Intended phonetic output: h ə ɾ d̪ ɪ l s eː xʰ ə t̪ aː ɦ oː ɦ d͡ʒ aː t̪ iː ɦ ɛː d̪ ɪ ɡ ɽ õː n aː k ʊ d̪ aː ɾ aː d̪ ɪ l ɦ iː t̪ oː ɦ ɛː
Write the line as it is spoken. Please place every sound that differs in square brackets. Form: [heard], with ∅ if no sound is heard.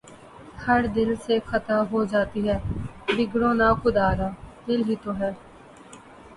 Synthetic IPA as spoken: h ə ɾ d̪ ɪ l s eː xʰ ə t̪ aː ɦ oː [∅] d͡ʒ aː t̪ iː ɦ ɛː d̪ ɪ ɡ ɽ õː n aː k ʊ d̪ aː ɾ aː d̪ ɪ l ɦ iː t̪ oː ɦ ɛː